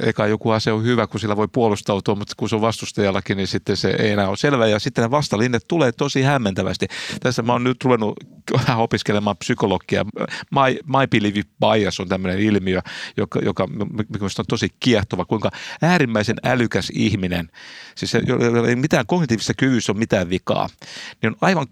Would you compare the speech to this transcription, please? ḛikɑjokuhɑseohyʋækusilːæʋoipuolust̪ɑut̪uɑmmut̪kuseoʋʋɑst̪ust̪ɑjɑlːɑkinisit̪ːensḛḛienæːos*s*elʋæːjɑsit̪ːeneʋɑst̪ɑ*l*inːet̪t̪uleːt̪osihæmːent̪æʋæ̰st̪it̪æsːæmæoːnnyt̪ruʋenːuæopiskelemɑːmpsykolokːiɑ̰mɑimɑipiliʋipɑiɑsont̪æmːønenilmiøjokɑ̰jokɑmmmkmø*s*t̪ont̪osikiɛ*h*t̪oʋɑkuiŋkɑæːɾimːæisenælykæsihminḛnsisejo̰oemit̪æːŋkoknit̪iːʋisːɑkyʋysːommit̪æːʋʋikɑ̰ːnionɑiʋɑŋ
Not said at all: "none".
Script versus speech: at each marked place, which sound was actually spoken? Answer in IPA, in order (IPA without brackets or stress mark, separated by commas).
s, l, s, h